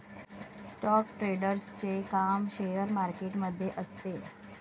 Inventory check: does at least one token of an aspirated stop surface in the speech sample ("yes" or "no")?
no